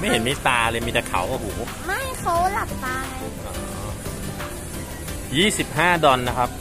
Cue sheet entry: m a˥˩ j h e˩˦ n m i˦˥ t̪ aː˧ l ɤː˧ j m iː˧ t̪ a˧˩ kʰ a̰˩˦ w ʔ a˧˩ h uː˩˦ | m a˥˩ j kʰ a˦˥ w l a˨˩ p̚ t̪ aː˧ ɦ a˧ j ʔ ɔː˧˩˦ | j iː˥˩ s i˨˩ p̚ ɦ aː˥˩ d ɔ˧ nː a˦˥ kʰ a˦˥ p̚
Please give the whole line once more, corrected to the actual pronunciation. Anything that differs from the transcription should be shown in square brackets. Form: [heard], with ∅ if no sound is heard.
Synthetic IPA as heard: m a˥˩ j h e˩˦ n m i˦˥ t̪ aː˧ l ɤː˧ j m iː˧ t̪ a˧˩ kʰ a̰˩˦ w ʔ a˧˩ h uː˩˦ | m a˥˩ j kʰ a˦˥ w l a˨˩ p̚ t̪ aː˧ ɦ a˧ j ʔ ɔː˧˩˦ | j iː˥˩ s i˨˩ p̚ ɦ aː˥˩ d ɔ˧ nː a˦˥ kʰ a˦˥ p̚